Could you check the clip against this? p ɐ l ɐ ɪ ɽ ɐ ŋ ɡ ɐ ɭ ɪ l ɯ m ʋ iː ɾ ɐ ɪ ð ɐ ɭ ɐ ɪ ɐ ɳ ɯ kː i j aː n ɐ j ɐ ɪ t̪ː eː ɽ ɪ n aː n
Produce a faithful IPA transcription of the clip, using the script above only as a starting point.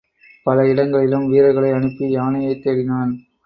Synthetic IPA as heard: p ɐ l ɐ ɪ ɽ ɐ ŋ ɡ ɐ ɭ ɪ l ɯ m ʋ iː ɾ ɐ ɪ ɣ ɐ ɭ ɐ ɪ ɐ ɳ ɯ pː i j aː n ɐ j ɐ ɪ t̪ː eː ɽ ɪ n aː n